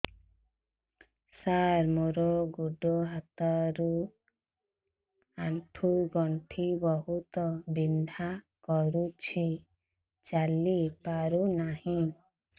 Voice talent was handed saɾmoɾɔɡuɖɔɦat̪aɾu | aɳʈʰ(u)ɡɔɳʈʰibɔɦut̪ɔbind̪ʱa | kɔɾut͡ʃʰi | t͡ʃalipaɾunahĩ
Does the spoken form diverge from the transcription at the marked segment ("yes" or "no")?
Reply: no